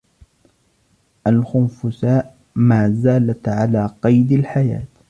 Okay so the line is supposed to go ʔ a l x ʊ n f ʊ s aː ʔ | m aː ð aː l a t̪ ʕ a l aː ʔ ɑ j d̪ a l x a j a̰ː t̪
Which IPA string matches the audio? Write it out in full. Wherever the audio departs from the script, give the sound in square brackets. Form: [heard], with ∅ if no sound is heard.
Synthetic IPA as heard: ʔ a l x ʊ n f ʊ s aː ʔ | m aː [z] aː l a t̪ ʕ a l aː [q] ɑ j d̪ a l [ħ] a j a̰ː t̪